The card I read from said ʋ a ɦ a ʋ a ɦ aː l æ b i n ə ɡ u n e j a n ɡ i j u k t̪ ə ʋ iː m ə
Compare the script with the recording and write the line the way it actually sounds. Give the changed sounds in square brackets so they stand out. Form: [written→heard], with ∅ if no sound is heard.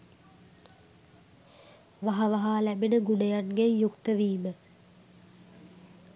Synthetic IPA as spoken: ʋ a ɦ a ʋ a ɦ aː l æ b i n ə ɡ u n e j a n ɡ [i→e] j u k t̪ ə ʋ iː m ə